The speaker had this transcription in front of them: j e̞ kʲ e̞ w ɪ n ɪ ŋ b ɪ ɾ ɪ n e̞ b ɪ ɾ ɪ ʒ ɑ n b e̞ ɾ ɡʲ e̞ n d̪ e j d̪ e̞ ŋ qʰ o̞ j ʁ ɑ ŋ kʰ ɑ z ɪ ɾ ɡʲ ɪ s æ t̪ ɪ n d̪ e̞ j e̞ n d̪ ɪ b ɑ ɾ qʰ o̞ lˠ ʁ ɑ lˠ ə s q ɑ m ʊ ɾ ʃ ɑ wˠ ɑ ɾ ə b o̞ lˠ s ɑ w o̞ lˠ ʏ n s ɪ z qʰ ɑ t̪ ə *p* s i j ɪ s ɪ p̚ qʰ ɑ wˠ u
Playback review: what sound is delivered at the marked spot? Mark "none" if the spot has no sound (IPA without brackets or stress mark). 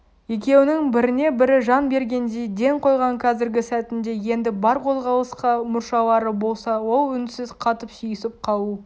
p